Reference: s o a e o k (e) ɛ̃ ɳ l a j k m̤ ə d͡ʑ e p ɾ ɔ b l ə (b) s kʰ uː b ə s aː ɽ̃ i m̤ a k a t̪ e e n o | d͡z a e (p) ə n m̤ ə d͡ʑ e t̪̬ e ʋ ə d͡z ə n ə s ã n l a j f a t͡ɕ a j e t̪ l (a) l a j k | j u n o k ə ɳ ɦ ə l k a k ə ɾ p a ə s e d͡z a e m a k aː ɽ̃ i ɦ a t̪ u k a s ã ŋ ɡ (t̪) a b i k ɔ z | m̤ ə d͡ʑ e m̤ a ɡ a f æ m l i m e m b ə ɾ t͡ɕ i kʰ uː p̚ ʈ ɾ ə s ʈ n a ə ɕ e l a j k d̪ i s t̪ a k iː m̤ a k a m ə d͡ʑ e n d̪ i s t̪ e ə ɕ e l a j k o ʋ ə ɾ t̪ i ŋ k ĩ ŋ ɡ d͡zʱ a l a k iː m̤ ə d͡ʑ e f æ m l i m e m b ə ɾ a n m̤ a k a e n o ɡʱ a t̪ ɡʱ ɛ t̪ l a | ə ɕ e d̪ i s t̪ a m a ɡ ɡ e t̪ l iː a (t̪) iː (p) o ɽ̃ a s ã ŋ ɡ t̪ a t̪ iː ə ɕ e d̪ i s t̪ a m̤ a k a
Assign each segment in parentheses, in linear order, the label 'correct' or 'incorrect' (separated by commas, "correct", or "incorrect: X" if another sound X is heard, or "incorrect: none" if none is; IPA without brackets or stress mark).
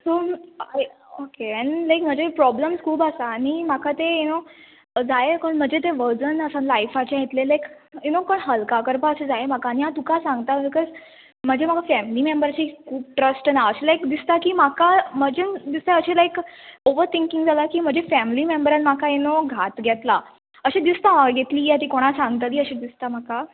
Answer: correct, incorrect: m, incorrect: k, incorrect: e, correct, correct, incorrect: k